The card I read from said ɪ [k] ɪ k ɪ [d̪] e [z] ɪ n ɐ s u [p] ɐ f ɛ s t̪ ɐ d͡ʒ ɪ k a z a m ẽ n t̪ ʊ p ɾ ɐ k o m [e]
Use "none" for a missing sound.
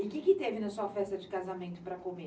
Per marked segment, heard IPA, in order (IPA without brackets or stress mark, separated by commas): k, t̪, v, none, e